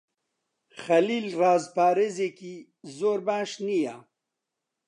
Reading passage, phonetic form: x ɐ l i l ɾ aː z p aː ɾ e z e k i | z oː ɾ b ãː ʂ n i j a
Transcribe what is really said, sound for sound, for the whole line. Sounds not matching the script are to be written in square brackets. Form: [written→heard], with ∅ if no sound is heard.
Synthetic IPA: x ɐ l i l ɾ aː z p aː ɾ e z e k i | z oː ɾ b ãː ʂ n i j a